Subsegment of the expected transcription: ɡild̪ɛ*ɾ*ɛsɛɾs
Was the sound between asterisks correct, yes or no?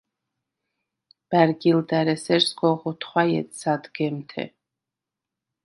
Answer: yes